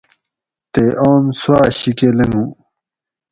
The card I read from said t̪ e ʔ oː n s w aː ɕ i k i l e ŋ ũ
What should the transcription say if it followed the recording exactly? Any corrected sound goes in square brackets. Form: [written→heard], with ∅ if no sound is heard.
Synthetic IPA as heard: t̪ e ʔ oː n s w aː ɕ i k [i→e] l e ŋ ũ

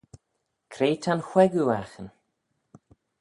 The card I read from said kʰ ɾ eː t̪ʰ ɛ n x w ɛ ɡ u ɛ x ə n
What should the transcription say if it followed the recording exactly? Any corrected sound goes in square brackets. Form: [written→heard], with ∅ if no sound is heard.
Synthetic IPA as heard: kʰ ɾ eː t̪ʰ [ɛ→a] n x w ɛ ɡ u [ɛ→a] x ə n

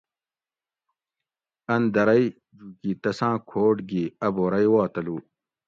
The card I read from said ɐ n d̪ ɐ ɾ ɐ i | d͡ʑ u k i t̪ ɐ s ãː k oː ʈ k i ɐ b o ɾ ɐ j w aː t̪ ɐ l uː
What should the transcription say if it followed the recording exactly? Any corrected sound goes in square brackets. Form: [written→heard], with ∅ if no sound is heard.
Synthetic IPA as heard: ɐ n d̪ ɐ ɾ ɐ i | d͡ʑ u k i t̪ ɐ s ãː [k→kʰ] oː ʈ [k→ɡ] i ɐ b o ɾ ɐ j w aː t̪ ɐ l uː

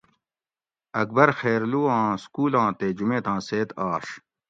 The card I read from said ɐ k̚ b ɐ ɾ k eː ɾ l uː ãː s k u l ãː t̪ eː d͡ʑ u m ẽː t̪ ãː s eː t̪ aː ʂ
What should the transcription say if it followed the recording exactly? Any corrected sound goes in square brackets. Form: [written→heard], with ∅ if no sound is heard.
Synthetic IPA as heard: ɐ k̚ b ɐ ɾ [k→x] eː ɾ l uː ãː s k [u→uː] l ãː t̪ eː d͡ʑ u m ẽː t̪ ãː s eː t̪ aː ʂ

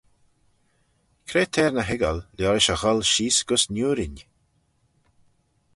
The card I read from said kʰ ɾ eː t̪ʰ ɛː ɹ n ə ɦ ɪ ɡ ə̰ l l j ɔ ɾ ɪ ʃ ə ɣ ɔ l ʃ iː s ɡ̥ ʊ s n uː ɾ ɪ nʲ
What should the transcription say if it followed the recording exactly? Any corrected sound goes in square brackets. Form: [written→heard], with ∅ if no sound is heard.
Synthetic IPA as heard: kʰ ɾ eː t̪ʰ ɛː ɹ n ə ɦ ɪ ɡ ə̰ l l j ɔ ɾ ɪ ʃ ə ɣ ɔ l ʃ iː s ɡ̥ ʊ s n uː ɾ ɪ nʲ

